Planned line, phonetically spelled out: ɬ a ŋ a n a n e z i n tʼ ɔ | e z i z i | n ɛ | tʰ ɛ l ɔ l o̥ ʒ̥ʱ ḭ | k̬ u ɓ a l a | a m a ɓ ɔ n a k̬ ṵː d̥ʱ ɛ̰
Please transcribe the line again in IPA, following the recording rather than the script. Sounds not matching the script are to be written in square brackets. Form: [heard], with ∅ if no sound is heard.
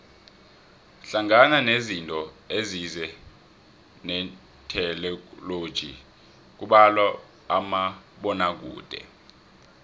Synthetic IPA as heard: ɬ a ŋ a n a n e z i n tʼ ɔ | e z i z [ɛ] | n ɛ | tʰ ɛ l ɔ l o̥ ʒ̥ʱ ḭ | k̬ u ɓ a l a | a m a ɓ ɔ n a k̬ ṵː d̥ʱ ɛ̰